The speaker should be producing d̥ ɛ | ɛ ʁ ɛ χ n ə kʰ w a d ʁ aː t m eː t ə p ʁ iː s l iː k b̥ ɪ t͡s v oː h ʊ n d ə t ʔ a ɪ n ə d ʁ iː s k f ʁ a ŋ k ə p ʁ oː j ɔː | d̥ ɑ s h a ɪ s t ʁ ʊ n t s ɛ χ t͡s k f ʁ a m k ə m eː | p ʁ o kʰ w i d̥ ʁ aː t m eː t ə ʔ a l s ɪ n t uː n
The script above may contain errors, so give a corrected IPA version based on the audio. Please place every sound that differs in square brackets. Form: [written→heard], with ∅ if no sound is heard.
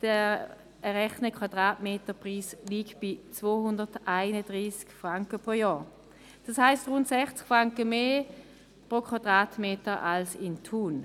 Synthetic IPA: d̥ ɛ | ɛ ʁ ɛ χ n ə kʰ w a d ʁ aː t m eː t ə p ʁ iː s l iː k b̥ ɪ t͡s v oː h ʊ n d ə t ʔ a ɪ n ə d ʁ iː s k f ʁ a ŋ k ə p ʁ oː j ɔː | d̥ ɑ s h a ɪ s t ʁ ʊ n t s ɛ χ t͡s k f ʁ a [m→ŋ] k ə m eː | p ʁ o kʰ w [i→a] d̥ ʁ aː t m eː t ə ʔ a l s ɪ n [t→tʰ] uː n